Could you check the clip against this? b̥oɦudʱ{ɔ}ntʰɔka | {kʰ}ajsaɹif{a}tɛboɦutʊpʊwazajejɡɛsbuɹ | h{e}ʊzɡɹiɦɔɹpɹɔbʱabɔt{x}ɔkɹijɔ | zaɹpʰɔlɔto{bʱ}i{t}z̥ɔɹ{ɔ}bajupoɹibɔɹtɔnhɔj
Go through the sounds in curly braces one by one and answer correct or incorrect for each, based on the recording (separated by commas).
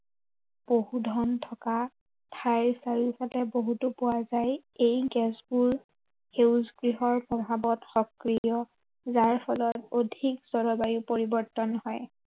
correct, incorrect, correct, correct, correct, incorrect, incorrect, correct